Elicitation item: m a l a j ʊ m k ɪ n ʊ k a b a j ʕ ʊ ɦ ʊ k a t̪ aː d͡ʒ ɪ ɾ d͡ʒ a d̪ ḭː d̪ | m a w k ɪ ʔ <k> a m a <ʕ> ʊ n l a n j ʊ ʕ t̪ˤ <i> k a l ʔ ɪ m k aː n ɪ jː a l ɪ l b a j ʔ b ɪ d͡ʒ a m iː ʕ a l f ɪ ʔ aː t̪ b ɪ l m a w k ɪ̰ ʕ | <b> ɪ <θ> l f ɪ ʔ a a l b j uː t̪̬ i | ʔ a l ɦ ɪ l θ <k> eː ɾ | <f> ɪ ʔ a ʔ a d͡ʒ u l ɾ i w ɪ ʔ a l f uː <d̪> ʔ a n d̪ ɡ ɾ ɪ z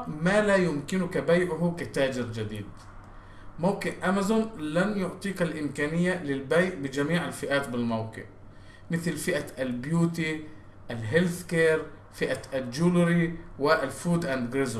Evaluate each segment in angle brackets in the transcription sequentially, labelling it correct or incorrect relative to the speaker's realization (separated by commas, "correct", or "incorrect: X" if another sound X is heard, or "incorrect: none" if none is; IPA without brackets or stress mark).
incorrect: ʔ, incorrect: z, incorrect: iː, incorrect: m, correct, correct, correct, correct